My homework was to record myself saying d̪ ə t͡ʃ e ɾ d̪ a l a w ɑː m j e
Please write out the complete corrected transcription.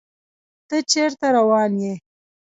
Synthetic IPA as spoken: t̪ ə t͡ʃ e ɾ t̪ a ɾ a w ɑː n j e